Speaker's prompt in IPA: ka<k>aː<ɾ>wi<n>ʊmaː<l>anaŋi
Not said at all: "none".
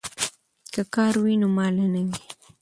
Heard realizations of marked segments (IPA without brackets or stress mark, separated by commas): k, ɾ, n, l